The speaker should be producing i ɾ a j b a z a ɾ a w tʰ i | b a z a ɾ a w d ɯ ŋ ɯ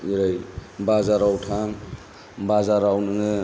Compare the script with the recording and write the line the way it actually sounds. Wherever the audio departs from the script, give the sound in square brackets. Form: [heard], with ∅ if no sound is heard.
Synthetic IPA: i ɾ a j b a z a ɾ a w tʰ [a] | b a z a ɾ a w [n] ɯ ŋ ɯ

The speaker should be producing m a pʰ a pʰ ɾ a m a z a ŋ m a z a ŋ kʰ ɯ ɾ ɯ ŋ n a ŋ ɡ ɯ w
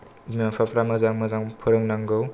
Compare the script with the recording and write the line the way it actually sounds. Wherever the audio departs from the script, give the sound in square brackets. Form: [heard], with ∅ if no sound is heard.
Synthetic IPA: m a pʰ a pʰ ɾ a m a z a ŋ m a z a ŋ [pʰ] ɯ ɾ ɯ ŋ n a ŋ ɡ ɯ w

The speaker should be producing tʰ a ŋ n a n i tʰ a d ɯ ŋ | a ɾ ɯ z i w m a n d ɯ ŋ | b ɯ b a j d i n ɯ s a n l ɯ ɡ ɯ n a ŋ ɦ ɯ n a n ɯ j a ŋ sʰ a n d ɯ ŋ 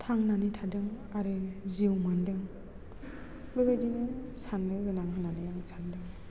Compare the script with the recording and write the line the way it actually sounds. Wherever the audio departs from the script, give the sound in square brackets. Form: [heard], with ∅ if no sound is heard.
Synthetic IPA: tʰ a ŋ n a n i tʰ a d ɯ ŋ | a ɾ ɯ z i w m a n d ɯ ŋ | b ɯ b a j d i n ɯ s a n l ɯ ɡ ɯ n a ŋ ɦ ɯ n a n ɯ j a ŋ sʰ a n d ɯ ŋ

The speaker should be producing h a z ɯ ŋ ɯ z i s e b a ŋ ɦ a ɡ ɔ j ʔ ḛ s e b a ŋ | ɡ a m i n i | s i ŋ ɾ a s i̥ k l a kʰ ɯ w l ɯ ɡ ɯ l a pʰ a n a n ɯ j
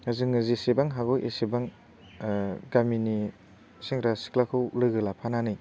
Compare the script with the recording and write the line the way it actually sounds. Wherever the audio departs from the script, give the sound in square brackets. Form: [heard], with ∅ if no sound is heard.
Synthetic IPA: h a z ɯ ŋ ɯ z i s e b a ŋ ɦ a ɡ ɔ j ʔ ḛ s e b a ŋ | ɡ a m i n i | s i ŋ ɾ a s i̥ k l a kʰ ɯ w l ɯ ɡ ɯ l a pʰ a n a n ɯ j

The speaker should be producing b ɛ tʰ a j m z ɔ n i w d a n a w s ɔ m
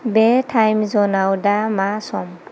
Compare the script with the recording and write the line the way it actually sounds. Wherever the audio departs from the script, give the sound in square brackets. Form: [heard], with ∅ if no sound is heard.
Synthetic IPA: b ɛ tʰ a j m z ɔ n [a] w d a [m] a [∅] s ɔ m

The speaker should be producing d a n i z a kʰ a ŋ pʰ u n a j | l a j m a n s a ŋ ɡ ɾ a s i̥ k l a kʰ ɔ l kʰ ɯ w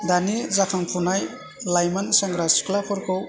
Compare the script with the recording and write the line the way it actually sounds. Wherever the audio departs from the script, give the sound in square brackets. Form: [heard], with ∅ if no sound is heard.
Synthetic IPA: d a n i z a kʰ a ŋ pʰ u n a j | l a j m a n s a ŋ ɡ ɾ a s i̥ k l a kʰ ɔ [ɾ] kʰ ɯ w

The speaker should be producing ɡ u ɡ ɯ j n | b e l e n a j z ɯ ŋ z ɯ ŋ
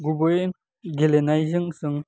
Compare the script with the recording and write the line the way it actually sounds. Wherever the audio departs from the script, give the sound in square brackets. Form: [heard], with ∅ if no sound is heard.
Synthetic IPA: ɡ u [b] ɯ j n | [ɡ] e l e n a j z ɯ ŋ [s] ɯ ŋ

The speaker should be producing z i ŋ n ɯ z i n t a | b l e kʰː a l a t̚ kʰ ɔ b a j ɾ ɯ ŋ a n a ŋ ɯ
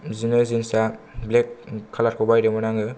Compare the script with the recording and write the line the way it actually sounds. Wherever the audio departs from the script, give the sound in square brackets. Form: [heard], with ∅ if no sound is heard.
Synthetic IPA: z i [∅] n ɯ z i n [s] a | b l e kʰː a l a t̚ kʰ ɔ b a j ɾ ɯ [m] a n a ŋ ɯ

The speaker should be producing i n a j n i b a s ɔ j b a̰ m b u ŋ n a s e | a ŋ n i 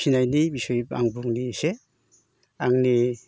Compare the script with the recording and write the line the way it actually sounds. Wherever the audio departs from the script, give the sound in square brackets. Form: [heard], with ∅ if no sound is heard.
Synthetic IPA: i n a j n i b [i] s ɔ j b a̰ [ŋ] b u ŋ n [i] s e | a ŋ n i

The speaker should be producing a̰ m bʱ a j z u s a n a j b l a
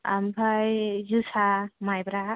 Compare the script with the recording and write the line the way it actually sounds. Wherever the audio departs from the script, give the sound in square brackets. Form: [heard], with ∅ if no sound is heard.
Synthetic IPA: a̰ m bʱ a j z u s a [m] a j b [ɾ] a

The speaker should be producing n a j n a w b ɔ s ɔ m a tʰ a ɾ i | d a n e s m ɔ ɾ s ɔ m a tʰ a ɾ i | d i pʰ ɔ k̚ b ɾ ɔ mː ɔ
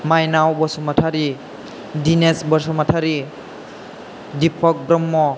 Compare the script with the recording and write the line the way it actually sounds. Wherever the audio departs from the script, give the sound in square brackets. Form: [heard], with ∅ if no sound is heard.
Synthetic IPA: [m] a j n a w b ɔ s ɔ m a tʰ a ɾ i | d [i] n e s [b] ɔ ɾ s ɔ m a tʰ a ɾ i | d i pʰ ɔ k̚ b ɾ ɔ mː ɔ

